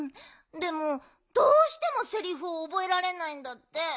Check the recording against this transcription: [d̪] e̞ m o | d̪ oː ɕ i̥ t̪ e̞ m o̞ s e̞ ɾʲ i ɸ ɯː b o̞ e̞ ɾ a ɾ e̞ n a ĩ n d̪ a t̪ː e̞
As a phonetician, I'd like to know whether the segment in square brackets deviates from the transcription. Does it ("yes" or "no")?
no